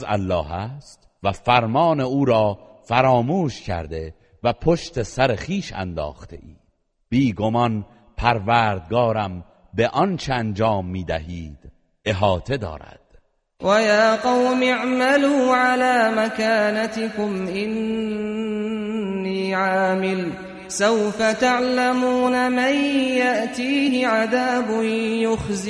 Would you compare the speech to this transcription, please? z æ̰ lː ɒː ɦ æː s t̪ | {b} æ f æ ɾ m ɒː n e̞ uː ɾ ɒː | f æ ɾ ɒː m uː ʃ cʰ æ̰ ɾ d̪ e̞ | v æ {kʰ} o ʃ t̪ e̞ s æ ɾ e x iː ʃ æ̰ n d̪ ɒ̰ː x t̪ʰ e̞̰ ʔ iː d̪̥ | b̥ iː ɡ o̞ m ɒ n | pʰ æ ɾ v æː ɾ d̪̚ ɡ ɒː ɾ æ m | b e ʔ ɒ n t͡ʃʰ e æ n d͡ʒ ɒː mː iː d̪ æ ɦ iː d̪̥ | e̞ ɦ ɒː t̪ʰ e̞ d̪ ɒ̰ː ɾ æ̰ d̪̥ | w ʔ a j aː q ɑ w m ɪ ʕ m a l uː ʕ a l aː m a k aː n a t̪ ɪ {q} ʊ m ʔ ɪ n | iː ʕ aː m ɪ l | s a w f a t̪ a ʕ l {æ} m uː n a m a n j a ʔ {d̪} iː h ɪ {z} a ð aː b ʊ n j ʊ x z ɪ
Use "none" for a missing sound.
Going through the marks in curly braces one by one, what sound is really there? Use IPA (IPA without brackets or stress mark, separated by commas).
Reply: v, pʰ, k, a, t̪, ʕ